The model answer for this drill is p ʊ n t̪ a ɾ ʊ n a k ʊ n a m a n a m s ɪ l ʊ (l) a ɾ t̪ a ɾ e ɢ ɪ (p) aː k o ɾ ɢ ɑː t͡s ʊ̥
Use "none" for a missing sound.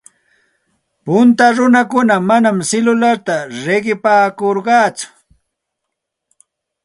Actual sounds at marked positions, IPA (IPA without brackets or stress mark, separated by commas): l, p